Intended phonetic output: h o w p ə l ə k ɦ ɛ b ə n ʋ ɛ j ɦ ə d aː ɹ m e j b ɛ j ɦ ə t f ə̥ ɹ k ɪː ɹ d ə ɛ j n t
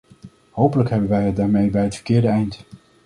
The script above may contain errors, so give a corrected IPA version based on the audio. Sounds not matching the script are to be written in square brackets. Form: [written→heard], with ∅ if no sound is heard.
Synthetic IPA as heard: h o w p ə l ə k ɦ ɛ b ə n ʋ ɛ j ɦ ə d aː ɹ m e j b ɛ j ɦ ə t f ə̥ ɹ k ɪː ɹ d ə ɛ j n t